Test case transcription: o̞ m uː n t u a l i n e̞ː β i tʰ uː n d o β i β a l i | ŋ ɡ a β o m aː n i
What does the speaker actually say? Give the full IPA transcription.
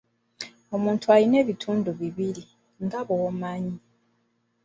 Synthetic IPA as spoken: o̞ m uː n t u a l i n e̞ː β i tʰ uː n d u β i β i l i | ŋ ɡ a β o m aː ɲ i